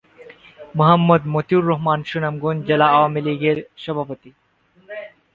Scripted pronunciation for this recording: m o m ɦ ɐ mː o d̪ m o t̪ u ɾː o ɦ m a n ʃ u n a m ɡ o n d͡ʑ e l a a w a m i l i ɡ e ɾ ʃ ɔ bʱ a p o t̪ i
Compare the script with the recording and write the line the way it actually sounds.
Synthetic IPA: m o ɦ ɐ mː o d̪ m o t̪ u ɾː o ɦ m a n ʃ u n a m ɡ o n d͡ʑ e l a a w a m i l i ɡ e ɾ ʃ ɔ bʱ a p o t̪ i